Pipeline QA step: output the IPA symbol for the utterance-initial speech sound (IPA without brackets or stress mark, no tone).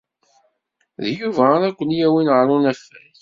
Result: ð